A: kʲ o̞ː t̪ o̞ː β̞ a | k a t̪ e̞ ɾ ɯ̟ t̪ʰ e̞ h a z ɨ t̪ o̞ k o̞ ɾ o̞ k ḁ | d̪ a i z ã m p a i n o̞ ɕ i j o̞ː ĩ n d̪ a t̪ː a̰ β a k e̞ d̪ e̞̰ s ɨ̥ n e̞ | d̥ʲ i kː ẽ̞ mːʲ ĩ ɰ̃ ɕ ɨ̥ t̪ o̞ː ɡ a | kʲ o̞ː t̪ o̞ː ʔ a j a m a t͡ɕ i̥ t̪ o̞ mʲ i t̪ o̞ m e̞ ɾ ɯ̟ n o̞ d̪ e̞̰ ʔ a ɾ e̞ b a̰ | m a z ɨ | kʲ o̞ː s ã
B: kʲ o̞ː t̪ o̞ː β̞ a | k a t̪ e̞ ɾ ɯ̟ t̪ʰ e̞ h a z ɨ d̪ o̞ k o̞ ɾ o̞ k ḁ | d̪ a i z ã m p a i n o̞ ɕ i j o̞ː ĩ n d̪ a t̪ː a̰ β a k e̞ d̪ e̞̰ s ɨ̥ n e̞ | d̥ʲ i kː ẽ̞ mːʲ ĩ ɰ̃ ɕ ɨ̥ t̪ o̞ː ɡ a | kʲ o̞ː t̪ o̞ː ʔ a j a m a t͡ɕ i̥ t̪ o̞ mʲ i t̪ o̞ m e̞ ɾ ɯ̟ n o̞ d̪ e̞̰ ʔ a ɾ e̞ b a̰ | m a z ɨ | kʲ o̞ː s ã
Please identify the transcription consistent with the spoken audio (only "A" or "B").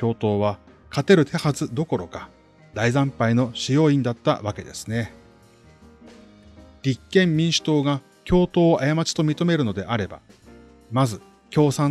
B